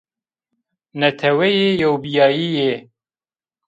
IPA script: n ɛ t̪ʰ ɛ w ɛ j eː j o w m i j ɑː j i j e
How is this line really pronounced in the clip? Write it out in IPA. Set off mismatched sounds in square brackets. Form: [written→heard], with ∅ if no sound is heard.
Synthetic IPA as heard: n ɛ t̪ʰ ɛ w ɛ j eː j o w [m→b] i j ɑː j i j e